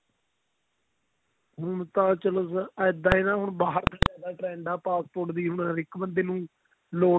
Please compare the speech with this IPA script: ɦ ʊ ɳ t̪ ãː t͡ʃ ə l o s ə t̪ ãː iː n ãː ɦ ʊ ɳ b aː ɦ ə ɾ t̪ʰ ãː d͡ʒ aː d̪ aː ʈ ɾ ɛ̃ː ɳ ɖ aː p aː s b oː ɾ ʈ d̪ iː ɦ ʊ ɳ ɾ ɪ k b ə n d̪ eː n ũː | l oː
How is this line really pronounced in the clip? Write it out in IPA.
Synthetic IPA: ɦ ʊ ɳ t̪ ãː t͡ʃ ə l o s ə d̪ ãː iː n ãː ɦ ʊ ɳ b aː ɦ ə ɾ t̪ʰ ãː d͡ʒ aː d̪ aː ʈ ɾ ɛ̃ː ɳ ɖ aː p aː s p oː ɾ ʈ d̪ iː ɦ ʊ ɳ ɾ ɪ k b ə n d̪ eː n ũː | l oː